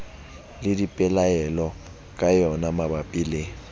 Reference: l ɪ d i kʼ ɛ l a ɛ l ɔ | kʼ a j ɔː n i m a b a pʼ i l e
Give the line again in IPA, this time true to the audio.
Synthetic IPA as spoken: l ɪ d i pʼ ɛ l a ɛ l ɔ | kʼ a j ɔ n a m a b a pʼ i l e